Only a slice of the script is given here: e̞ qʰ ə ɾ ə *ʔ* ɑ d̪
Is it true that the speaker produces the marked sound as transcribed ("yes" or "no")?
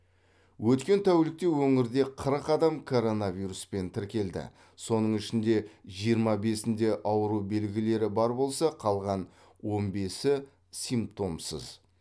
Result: no